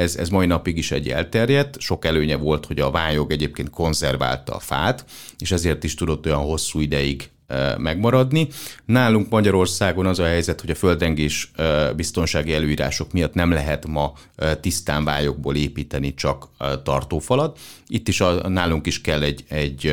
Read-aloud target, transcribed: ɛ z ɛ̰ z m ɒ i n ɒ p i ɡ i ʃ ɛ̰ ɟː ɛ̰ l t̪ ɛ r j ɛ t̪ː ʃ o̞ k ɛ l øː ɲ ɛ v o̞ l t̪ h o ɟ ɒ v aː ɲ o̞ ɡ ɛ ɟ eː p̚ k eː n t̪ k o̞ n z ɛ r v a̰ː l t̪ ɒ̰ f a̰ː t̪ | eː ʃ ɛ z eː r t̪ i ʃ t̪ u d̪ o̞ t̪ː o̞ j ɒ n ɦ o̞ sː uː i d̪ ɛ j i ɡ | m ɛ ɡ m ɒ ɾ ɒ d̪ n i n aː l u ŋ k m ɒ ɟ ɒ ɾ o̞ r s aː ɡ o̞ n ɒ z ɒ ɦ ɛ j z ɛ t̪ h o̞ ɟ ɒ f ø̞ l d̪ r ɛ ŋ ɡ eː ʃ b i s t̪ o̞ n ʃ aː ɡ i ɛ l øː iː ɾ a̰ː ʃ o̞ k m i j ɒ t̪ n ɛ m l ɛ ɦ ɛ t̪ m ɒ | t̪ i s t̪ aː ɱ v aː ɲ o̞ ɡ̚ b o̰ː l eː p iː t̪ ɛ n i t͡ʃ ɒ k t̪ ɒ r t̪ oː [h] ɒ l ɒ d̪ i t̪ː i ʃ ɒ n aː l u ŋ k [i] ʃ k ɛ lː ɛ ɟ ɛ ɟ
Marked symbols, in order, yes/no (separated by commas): no, yes